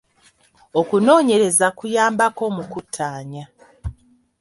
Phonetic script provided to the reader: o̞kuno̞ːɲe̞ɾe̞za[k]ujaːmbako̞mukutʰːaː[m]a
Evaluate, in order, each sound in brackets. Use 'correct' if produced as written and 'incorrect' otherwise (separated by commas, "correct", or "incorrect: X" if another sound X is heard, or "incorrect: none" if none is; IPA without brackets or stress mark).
correct, incorrect: ɲ